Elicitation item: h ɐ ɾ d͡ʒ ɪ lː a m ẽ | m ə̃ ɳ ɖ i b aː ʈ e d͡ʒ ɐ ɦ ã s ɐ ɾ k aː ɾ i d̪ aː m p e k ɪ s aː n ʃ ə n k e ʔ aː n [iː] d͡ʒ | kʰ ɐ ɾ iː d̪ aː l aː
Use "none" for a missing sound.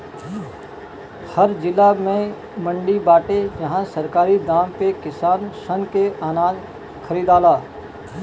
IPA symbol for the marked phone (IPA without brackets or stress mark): aː